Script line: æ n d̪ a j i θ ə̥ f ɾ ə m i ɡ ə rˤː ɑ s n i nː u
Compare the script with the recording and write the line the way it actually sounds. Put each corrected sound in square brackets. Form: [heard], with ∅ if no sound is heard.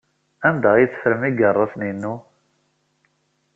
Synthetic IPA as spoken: æ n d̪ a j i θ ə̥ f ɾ ə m i ɡ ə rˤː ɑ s n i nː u